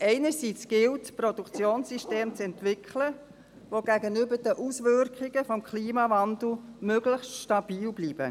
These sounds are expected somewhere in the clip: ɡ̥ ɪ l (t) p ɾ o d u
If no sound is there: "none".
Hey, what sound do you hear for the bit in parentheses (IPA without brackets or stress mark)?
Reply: t